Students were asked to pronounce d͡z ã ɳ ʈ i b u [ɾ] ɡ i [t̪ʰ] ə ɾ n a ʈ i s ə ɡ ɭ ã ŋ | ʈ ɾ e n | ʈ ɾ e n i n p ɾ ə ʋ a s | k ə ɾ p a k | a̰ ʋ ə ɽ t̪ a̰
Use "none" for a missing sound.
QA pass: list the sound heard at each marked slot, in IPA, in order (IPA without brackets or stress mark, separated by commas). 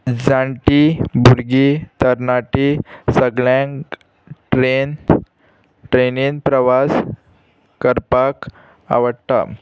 ɾ, t̪